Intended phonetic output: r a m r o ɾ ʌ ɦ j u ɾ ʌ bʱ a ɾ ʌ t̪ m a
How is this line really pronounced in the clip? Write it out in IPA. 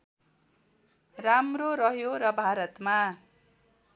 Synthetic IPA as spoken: r a m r o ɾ ʌ ɦ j o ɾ ʌ bʱ a ɾ ʌ t̪ m a